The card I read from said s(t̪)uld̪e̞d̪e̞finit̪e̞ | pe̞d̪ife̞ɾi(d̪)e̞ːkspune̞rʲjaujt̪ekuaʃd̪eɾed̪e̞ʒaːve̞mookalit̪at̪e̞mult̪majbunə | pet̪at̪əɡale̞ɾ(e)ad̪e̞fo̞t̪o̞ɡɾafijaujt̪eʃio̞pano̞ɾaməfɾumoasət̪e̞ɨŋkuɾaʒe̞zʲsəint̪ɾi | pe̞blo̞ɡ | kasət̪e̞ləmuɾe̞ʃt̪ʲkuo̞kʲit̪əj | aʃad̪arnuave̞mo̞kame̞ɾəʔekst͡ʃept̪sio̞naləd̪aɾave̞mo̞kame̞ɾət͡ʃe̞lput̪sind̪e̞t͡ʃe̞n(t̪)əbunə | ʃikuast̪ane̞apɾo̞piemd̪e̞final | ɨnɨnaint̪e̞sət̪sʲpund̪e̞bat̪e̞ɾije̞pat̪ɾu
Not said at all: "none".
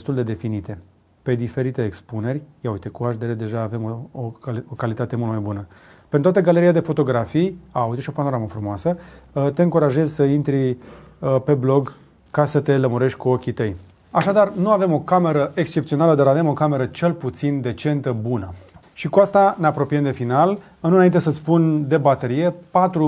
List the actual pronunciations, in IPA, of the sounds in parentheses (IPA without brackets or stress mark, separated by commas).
t̪, t̪, i, t̪